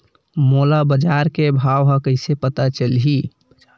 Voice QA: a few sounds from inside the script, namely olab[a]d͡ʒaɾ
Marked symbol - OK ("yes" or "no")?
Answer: no